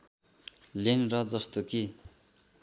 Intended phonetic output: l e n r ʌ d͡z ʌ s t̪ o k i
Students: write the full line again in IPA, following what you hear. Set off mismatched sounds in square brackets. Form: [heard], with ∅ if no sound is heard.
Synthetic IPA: l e n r ʌ d͡z ʌ s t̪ o k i

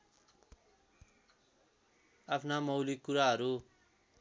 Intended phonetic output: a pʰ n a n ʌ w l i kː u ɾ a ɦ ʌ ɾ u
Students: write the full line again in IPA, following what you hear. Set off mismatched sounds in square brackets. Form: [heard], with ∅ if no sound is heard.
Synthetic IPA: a pʰ n a [m] ʌ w l i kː u ɾ a ɦ ʌ ɾ u

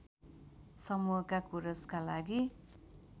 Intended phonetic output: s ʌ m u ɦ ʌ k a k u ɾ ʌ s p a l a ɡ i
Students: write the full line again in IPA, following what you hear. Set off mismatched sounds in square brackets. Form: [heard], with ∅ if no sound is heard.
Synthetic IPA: s ʌ m u ɦ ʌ k a k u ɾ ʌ s [k] a l a ɡ i

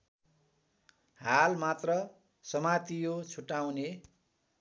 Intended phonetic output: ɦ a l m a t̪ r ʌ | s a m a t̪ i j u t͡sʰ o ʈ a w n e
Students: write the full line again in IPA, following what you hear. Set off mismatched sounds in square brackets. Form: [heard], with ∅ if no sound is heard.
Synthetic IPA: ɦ a l m a t̪ r ʌ | s [ʌ] m a t̪ i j [o] t͡sʰ [u] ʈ a w n e

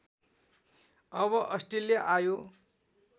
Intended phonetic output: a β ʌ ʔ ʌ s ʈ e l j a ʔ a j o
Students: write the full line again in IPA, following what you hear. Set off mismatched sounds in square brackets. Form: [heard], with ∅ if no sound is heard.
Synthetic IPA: [ʌ] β ʌ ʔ ʌ s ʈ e l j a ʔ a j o

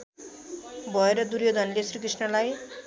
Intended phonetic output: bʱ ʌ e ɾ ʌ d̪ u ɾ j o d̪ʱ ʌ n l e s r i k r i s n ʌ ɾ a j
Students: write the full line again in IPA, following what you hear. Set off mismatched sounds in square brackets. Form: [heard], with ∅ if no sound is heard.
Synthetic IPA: bʱ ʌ e ɾ ʌ d̪ u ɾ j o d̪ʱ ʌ n l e s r i k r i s n ʌ [l] a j

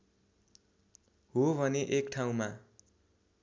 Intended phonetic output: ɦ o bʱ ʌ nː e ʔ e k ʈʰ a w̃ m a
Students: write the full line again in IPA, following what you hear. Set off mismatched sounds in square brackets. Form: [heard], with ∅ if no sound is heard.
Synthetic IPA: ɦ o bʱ ʌ [n] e ʔ e k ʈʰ a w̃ m a

